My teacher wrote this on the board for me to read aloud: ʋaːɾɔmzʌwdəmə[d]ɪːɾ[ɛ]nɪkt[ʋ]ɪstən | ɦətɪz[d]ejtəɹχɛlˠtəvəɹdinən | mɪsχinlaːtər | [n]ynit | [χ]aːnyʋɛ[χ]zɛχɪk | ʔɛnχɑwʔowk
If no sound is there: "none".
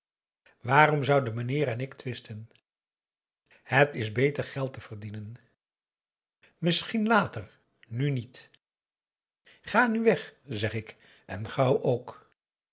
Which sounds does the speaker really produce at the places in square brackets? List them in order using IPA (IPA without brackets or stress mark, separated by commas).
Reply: n, ɛ, ʋ, b, n, χ, χ